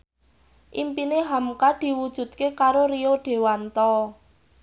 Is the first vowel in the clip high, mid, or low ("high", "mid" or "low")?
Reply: high